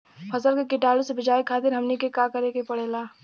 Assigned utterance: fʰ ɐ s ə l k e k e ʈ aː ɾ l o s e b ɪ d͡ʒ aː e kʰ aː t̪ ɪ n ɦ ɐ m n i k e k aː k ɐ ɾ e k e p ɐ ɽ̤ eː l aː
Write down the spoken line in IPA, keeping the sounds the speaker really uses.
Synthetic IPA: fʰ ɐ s ə l k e k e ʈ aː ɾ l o s e b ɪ d͡ʒ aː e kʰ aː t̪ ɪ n ɦ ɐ m n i k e k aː k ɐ ɾ e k e p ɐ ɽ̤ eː l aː